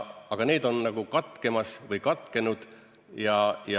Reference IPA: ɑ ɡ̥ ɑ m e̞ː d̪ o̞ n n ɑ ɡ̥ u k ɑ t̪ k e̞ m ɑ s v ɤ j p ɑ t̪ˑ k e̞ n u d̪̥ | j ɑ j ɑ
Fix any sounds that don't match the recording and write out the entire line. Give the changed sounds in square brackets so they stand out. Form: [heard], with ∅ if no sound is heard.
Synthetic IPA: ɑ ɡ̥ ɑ [n] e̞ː d̪ o̞ n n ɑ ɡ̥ u k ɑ t̪ k e̞ m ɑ s v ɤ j [k] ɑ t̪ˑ k e̞ n u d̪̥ | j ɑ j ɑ